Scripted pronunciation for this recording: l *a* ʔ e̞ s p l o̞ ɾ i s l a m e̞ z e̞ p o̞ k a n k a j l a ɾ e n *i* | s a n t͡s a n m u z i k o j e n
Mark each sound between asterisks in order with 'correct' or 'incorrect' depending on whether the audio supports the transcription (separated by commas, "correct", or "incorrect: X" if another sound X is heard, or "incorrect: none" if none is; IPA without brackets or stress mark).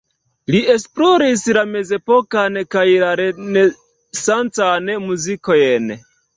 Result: incorrect: i, incorrect: e